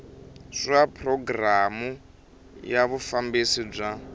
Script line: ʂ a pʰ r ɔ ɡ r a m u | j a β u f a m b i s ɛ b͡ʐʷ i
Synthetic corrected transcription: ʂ a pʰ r ɔ ɡ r a m u | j a β u f a m b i s i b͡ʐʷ a